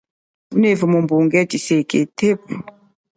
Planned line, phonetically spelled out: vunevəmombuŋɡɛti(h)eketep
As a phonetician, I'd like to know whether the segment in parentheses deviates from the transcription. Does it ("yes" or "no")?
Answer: yes